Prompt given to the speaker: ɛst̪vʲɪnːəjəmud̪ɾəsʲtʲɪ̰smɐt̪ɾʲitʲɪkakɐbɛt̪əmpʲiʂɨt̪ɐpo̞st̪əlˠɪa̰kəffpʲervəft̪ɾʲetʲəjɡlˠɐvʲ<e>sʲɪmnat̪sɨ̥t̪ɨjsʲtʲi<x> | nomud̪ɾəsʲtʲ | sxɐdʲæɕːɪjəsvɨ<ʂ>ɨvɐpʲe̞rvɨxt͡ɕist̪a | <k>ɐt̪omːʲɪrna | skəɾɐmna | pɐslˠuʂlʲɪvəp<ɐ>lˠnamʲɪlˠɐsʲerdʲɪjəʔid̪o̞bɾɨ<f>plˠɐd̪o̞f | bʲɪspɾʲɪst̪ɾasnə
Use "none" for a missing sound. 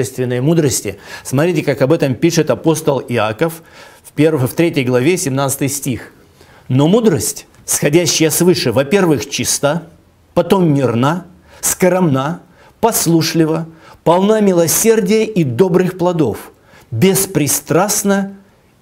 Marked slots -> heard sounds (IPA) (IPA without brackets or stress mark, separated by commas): e, x, ʂ, p, ɐ, x